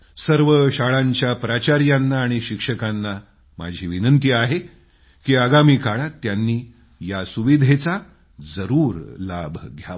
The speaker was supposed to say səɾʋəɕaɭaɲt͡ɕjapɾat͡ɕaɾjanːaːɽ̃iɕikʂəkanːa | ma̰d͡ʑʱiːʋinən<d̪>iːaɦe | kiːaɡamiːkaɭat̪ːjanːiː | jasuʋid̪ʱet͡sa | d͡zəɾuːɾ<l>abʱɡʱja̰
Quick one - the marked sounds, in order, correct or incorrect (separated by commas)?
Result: incorrect, correct